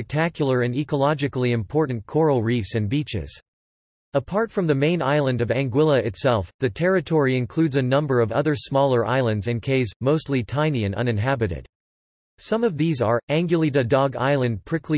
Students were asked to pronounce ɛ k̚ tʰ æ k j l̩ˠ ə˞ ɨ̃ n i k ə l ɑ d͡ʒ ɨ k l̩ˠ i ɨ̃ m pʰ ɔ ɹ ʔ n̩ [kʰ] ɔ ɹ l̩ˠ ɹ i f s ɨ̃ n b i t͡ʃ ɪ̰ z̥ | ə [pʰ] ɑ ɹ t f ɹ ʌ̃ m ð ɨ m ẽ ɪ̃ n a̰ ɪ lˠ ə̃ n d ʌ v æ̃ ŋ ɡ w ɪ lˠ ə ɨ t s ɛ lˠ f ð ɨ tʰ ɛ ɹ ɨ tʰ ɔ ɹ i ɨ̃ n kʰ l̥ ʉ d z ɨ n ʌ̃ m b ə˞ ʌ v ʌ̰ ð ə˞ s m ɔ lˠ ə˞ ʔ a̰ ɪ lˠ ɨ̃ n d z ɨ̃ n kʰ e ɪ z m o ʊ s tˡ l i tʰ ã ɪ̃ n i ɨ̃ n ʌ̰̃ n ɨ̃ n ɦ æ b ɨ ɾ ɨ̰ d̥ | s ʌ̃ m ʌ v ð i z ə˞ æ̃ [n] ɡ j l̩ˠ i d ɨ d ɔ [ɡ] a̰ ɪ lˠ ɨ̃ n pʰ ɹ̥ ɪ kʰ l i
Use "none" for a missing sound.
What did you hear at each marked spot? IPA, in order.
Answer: kʰ, pʰ, ŋ, ɡ

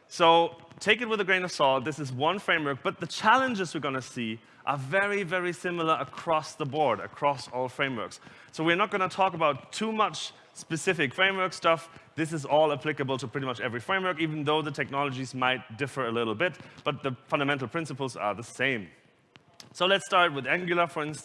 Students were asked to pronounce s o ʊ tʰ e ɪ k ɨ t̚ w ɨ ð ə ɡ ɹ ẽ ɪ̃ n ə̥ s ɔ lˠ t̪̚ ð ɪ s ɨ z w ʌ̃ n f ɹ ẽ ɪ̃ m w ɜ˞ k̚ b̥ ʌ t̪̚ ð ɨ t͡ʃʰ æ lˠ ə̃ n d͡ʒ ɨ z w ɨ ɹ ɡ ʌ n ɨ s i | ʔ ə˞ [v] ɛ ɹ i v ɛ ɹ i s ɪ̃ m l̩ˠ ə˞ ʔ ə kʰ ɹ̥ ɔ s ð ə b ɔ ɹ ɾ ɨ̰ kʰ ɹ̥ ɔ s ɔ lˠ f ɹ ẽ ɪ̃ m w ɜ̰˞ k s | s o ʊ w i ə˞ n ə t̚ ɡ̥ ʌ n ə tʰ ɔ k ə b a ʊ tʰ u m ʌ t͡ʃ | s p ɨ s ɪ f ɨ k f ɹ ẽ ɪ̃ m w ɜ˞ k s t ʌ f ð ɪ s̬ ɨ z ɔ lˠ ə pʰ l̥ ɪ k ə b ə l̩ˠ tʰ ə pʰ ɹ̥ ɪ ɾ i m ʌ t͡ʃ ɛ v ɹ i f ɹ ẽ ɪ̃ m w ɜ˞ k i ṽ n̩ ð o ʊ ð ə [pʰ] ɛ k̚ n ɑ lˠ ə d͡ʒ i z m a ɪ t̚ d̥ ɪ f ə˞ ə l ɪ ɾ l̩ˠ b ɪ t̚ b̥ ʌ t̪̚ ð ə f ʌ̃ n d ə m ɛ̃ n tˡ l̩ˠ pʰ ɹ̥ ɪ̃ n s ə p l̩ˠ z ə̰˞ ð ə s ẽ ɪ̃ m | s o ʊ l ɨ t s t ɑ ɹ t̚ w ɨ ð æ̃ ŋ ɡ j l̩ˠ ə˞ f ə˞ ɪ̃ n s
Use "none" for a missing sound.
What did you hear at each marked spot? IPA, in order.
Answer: v, tʰ

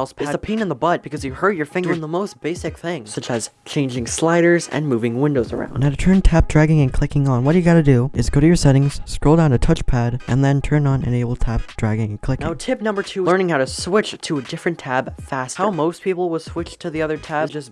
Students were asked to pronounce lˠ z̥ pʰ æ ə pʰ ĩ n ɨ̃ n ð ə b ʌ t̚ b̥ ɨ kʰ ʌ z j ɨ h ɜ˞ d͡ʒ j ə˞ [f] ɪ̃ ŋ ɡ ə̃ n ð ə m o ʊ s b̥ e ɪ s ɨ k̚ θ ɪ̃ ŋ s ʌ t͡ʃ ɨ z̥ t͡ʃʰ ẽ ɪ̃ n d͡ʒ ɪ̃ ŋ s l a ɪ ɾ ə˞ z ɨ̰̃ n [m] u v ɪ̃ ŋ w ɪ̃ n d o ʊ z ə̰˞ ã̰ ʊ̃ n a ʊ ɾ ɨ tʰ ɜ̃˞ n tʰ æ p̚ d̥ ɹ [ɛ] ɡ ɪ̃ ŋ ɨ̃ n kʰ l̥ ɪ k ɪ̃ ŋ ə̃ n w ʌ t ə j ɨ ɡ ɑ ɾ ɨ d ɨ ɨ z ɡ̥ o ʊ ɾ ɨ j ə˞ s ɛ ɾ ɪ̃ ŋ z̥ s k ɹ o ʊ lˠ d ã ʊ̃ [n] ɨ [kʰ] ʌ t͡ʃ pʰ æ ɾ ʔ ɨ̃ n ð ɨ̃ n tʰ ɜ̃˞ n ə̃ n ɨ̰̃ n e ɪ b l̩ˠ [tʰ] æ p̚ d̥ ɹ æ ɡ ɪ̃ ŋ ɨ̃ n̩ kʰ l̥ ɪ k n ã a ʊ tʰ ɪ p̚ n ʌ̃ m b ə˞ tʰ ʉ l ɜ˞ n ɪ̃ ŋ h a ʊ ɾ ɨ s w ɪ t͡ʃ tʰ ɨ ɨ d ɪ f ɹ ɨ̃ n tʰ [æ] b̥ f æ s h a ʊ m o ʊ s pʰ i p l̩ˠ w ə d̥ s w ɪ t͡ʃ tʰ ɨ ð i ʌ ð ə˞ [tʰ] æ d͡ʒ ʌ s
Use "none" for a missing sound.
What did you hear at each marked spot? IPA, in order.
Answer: f, m, æ, n, tʰ, tʰ, æ, tʰ

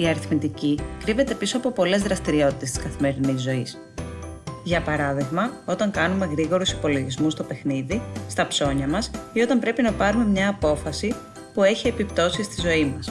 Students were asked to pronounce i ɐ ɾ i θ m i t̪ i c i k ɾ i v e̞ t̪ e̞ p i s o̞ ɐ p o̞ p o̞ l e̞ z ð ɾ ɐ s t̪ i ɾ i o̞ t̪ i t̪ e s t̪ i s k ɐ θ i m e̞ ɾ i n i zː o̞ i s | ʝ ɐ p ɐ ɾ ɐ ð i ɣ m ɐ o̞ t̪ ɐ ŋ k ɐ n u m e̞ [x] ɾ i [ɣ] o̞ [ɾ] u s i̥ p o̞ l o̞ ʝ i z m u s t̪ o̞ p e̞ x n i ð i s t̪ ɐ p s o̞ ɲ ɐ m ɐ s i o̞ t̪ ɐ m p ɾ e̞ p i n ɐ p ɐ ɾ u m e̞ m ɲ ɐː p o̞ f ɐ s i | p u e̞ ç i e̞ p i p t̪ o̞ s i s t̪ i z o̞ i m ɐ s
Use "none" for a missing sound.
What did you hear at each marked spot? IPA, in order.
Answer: ɣ, ɣ, ɾ

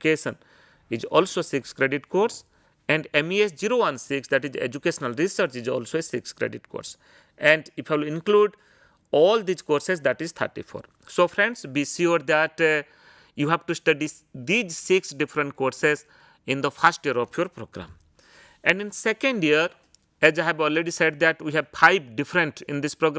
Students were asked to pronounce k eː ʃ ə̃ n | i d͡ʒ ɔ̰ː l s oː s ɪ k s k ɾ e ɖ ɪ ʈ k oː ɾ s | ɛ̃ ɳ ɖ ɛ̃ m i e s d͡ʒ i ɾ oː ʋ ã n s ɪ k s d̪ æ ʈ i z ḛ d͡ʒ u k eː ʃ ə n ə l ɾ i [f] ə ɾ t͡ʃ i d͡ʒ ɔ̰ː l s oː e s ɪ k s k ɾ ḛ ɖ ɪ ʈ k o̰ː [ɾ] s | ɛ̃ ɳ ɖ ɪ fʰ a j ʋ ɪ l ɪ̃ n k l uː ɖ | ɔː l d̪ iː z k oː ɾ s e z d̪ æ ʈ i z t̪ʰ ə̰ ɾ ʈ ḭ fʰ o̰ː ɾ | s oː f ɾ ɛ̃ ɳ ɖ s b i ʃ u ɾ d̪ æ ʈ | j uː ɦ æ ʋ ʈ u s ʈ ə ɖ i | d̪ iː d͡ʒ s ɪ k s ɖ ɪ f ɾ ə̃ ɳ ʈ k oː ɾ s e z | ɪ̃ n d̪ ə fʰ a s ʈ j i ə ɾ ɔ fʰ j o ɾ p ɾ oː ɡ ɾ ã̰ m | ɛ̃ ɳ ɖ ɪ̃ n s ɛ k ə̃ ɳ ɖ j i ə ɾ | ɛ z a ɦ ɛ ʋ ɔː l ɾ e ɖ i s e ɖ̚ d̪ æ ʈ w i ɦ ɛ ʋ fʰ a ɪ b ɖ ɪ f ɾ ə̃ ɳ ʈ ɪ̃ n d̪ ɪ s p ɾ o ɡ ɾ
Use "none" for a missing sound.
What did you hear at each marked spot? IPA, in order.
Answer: s, ɾ

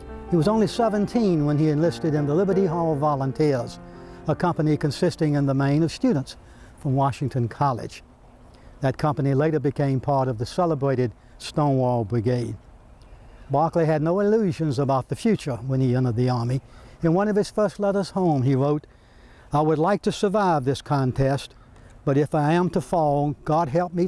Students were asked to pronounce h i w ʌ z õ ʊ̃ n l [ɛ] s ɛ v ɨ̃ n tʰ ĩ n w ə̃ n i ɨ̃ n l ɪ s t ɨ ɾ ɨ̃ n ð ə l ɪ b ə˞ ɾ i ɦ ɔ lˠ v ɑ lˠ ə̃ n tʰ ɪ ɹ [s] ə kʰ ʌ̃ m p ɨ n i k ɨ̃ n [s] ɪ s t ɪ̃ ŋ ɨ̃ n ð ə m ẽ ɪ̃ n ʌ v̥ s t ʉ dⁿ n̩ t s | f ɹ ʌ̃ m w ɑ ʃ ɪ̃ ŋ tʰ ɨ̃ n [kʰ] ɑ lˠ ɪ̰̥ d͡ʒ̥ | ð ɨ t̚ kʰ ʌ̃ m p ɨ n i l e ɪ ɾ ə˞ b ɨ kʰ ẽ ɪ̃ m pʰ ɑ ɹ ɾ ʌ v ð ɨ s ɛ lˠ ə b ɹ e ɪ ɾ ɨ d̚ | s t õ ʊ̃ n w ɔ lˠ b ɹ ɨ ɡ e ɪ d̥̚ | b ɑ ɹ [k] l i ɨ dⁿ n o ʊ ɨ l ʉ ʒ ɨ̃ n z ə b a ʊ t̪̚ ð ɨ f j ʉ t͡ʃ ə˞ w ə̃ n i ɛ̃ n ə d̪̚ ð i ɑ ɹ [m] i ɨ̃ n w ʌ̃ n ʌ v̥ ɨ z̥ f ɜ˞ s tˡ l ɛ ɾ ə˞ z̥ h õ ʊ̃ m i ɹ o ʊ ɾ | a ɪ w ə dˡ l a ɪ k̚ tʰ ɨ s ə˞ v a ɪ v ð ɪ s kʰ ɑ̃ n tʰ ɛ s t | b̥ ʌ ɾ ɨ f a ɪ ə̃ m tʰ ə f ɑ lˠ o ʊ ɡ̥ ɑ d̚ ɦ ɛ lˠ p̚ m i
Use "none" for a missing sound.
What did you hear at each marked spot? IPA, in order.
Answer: i, z, s, kʰ, k, m

